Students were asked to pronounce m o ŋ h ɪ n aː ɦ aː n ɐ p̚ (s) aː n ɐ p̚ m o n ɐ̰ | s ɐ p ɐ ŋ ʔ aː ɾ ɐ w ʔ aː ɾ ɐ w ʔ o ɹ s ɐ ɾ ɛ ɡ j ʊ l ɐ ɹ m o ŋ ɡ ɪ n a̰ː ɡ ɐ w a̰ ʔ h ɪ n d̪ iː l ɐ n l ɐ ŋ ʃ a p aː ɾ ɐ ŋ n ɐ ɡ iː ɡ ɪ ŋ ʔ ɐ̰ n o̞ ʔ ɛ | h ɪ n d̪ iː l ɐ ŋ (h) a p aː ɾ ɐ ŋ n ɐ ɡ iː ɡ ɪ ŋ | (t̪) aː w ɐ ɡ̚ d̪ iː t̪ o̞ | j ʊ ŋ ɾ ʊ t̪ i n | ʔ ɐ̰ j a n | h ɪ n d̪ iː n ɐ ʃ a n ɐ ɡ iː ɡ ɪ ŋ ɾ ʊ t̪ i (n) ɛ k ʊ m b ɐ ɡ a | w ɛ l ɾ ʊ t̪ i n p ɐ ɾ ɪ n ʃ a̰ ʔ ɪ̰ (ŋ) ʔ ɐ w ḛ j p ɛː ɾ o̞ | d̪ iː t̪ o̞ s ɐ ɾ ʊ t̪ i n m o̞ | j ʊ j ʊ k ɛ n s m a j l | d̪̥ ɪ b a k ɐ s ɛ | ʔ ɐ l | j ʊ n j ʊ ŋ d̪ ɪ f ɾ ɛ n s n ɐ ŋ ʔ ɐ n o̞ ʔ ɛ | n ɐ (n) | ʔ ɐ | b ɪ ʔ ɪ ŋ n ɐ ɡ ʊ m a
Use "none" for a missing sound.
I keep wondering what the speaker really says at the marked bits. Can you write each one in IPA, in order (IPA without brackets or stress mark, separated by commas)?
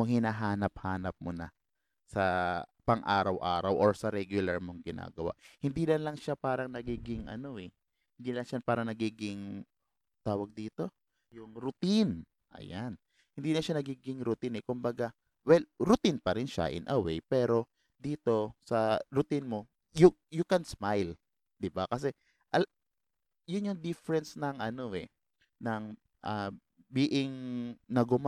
h, ʃ, t̪, n, n, ŋ